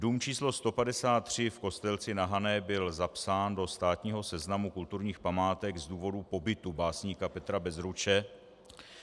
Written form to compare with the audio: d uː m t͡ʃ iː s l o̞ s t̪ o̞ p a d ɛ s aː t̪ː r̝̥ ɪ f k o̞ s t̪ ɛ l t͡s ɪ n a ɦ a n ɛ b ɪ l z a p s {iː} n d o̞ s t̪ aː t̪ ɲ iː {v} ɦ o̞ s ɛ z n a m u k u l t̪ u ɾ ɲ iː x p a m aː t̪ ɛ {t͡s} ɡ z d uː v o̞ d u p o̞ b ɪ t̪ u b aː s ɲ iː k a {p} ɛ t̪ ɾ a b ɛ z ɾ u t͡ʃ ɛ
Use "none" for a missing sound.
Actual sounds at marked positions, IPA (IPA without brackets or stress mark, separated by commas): aː, none, none, p